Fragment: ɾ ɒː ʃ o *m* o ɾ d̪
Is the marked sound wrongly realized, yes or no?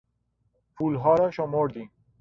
no